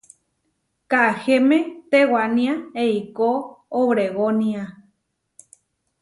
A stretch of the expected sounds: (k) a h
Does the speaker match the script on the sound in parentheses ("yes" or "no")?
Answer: yes